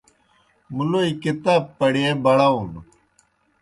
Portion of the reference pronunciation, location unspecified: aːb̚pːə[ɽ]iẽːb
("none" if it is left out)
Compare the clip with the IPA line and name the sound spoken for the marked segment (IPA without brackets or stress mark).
ɽ